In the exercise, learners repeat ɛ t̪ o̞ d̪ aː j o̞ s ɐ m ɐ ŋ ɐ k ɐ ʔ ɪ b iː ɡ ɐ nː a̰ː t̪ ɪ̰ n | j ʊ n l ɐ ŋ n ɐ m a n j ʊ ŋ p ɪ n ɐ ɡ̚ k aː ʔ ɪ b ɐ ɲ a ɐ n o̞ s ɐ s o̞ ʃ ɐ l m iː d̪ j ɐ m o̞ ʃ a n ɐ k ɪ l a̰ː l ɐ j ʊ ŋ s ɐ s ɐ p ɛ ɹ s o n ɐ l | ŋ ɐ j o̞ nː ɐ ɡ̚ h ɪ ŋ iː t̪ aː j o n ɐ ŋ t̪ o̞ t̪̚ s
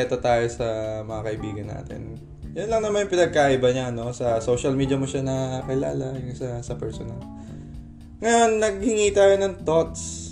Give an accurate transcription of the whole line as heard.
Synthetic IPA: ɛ t̪ o̞ t̪ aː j o̞ s ɐ m ɐ ŋ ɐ k ɐ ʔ ɪ b iː ɡ ɐ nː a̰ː t̪ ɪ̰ n | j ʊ n l ɐ ŋ n ɐ m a n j ʊ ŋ p ɪ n ɐ ɡ̚ k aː ʔ ɪ b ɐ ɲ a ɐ n o̞ s ɐ s o̞ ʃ ɐ l m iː d̪ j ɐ m o̞ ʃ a n ɐ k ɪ l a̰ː l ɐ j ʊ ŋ s ɐ s ɐ p ɛ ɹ s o n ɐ l | ŋ ɐ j o̞ nː ɐ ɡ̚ h ɪ ŋ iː t̪ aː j o n ɐ ŋ t̪ o̞ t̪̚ s